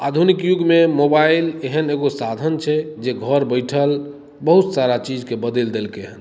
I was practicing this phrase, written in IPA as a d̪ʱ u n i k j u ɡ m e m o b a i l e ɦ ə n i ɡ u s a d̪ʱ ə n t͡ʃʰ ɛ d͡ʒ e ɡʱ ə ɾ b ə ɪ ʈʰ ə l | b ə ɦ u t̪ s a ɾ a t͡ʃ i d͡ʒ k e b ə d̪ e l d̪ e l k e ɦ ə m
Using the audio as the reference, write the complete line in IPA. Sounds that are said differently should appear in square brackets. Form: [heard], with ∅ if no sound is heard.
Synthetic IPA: a d̪ʱ u n i k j u ɡ m e m o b a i l e ɦ ə n [e] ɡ [o] s a d̪ʱ ə n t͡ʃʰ ɛ d͡ʒ e ɡʱ ə ɾ b ə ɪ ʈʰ ə l | b ə ɦ u t̪ s a ɾ a t͡ʃ i d͡ʒ k e b ə d̪ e l d̪ e l k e ɦ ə [n]